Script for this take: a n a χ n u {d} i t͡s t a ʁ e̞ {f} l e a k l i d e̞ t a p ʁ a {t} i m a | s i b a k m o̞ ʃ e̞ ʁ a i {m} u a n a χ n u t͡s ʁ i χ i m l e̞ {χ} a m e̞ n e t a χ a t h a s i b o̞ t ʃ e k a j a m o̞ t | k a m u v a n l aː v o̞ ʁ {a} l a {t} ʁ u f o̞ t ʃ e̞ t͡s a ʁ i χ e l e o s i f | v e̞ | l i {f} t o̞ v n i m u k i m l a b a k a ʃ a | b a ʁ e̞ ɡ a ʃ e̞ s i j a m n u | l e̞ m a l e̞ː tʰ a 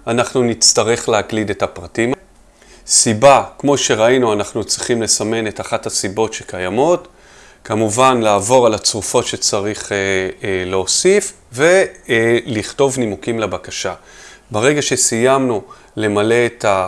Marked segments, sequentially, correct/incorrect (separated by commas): incorrect, incorrect, correct, incorrect, incorrect, correct, incorrect, incorrect